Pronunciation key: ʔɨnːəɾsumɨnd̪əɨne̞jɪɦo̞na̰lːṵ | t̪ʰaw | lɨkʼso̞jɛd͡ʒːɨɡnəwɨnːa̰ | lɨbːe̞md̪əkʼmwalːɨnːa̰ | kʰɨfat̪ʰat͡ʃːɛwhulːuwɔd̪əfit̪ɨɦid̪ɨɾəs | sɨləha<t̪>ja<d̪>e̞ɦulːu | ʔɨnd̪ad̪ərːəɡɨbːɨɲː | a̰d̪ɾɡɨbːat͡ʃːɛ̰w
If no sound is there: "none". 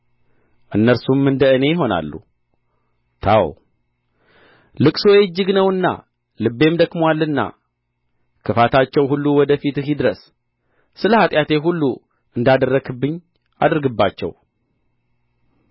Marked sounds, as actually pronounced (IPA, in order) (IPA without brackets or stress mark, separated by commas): t̪ʼ, t̪